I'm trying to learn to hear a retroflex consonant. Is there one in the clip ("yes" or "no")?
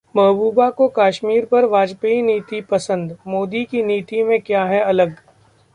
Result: no